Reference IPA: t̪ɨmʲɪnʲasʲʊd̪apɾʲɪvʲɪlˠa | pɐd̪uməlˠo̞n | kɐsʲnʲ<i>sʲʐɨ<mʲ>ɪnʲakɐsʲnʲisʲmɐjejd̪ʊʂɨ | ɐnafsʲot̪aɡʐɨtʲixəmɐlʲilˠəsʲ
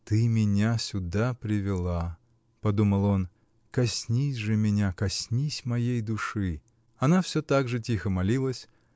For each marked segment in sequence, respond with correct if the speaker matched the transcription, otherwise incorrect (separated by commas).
correct, correct